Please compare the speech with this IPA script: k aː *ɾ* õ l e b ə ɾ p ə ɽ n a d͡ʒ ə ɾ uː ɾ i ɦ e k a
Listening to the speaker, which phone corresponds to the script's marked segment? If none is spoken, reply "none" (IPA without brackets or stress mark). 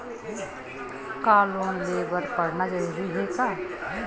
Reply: l